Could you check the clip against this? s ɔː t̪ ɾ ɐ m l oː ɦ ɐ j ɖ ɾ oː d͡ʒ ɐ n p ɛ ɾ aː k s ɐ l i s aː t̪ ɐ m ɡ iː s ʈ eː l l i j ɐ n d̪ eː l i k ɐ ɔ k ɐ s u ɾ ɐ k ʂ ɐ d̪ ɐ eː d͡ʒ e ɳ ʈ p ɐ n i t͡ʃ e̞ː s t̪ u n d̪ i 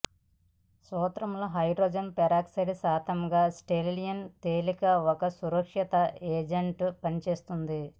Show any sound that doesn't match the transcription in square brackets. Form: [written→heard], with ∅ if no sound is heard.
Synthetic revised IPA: s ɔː t̪ ɾ ɐ m l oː ɦ ɐ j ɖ ɾ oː d͡ʒ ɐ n p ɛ ɾ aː k s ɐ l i s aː t̪ ɐ m ɡ [iː→aː] s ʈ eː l l i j ɐ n [d̪→t̪] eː l i k ɐ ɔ k ɐ s u ɾ ɐ k ʂ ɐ [d̪→t̪] ɐ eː d͡ʒ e ɳ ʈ p ɐ n i t͡ʃ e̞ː s t̪ u n d̪ i